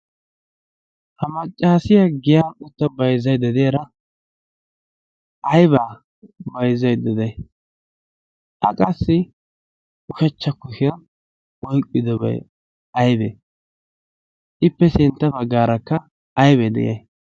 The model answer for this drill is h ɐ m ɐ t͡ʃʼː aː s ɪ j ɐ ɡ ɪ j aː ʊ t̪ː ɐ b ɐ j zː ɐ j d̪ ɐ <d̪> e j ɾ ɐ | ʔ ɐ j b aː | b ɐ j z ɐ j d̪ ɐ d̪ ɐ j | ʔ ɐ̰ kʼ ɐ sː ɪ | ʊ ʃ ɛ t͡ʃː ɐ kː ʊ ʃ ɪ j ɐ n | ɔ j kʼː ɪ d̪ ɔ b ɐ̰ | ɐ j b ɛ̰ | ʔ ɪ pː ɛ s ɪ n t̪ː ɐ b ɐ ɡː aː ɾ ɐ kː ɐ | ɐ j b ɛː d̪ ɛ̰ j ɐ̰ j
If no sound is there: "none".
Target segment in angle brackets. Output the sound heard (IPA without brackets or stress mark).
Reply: d̪